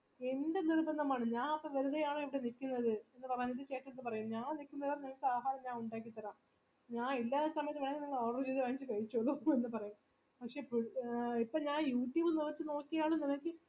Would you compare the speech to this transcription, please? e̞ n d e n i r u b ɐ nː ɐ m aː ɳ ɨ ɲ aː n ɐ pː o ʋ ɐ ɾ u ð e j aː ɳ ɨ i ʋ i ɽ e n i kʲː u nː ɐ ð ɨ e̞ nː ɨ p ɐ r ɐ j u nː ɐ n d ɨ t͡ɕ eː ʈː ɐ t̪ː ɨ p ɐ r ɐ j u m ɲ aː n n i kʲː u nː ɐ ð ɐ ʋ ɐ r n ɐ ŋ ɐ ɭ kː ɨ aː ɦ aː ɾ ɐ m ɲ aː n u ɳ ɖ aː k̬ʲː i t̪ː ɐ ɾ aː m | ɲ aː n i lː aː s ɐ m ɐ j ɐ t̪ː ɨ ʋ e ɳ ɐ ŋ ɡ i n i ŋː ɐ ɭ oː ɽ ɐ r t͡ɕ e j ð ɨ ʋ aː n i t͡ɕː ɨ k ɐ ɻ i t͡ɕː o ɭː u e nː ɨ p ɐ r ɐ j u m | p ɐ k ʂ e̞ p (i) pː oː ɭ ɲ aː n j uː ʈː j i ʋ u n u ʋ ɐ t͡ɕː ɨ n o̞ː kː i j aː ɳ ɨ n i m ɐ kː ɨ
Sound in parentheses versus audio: correct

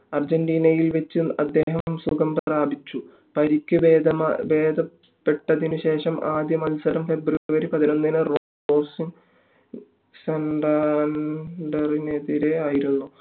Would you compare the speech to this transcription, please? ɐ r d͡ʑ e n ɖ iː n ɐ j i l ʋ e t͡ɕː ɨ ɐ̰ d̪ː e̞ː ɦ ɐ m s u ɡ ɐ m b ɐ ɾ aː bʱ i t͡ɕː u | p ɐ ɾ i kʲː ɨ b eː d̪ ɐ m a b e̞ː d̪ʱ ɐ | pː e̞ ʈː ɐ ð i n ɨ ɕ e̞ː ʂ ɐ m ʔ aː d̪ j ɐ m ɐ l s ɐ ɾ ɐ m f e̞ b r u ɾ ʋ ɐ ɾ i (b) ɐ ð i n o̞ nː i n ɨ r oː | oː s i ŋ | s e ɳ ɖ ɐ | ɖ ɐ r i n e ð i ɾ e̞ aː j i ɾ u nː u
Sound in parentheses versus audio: incorrect: p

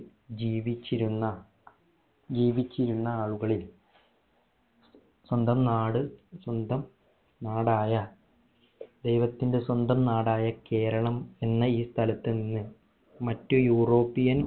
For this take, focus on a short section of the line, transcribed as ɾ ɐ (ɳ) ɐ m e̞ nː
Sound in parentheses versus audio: correct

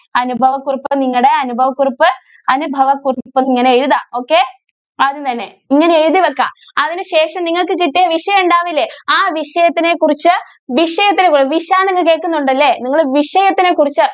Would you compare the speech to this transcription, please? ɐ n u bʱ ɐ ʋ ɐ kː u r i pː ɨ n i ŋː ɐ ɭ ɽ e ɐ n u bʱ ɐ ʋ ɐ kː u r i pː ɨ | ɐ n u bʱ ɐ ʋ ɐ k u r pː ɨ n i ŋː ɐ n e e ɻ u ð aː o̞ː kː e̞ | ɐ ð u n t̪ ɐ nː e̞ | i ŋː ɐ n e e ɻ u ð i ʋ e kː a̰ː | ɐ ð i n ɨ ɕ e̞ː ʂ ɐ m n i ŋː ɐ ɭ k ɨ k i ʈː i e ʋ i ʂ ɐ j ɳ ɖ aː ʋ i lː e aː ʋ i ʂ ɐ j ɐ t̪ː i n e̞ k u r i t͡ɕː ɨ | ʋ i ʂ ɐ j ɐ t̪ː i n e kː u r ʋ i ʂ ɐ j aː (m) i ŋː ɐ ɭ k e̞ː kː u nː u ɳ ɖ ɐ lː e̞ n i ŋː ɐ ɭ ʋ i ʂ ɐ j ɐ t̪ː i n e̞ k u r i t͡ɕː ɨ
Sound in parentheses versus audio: incorrect: n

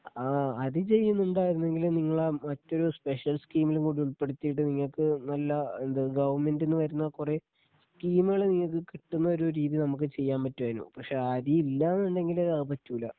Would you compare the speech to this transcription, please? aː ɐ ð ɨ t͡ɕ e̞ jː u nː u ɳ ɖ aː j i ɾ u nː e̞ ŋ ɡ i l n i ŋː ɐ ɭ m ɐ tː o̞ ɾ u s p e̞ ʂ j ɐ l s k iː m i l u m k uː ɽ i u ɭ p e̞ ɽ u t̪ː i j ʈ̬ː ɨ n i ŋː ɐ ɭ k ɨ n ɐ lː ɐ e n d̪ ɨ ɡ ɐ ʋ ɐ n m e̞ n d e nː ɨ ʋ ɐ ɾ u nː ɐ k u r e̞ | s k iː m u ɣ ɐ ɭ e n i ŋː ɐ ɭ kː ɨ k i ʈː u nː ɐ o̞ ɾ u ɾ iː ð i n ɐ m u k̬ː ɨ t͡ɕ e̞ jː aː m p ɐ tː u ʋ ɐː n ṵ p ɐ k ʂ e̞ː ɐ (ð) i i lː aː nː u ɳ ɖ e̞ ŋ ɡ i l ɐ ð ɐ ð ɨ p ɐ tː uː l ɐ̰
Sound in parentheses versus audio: correct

